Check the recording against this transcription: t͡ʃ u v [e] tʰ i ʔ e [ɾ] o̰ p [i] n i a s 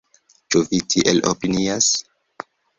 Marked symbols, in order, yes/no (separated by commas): no, no, yes